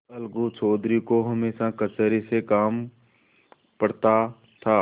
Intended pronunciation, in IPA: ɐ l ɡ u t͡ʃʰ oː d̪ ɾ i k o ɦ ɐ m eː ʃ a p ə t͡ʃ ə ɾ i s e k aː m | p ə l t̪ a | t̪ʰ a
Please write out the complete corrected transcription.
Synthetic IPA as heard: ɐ l ɡ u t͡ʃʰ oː d̪ ɾ i k o ɦ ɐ m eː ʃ a k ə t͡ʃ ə ɾ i s e k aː m | p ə ɽ t̪ a | t̪ʰ a